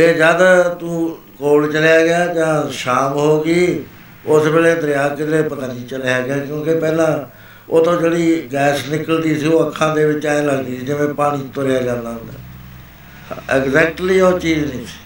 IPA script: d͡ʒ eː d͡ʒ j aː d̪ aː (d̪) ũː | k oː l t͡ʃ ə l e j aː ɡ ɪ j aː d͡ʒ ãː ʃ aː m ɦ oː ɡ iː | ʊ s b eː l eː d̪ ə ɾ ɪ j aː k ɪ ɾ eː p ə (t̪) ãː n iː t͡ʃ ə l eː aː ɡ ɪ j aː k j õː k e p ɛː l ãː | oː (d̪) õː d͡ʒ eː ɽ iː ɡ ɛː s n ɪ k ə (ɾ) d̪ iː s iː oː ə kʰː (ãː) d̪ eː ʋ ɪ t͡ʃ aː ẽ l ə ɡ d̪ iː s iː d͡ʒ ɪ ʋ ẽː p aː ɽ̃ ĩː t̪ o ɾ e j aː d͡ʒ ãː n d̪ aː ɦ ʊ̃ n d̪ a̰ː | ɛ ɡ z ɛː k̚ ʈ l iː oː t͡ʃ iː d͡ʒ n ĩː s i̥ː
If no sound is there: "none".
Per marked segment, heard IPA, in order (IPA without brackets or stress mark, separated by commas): t̪, t̪, t̪, l, ãː